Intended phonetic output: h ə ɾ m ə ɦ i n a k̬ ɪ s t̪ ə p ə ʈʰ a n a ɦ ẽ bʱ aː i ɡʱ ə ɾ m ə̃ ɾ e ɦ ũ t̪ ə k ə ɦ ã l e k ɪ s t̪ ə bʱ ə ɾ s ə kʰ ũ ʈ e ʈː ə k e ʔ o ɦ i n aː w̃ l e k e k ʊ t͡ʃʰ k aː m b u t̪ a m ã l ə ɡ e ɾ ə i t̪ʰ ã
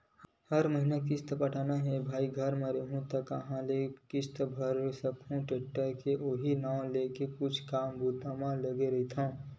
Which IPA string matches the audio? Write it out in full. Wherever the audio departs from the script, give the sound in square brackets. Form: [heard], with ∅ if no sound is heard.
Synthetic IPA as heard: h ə ɾ m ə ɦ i n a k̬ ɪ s t̪ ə p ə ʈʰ a n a ɦ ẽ bʱ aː i ɡʱ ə ɾ m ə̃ ɾ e ɦ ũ t̪ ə k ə ɦ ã l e k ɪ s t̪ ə bʱ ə ɾ s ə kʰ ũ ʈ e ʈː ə k e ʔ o ɦ i n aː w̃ l e k e k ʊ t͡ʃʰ k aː m b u t̪ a m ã l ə ɡ e ɾ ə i t̪ʰ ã